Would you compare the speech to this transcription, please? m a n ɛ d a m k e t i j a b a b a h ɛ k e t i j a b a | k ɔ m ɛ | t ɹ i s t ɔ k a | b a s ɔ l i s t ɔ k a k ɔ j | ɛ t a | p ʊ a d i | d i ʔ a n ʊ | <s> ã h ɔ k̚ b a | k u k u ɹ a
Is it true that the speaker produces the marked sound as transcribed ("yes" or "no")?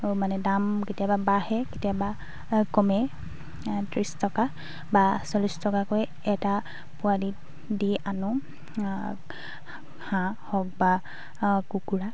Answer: no